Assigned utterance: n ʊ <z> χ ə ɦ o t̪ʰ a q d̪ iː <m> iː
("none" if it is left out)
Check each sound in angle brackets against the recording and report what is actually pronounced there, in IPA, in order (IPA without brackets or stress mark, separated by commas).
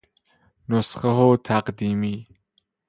s, m